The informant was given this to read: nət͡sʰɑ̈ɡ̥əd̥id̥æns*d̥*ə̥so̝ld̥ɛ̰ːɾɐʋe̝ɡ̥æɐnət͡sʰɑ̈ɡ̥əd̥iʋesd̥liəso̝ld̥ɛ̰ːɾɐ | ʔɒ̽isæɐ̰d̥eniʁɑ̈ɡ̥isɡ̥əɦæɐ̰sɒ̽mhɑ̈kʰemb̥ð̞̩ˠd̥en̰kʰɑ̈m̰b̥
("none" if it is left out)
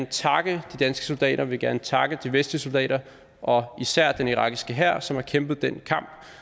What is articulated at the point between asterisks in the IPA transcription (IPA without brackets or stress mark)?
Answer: ɡ̥